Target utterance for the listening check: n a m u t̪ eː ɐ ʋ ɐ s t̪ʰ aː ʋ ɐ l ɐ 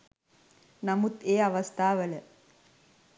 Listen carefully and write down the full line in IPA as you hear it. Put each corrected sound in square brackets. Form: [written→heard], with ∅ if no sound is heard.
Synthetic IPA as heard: n [a→ɐ] m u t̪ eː ɐ ʋ ɐ s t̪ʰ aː ʋ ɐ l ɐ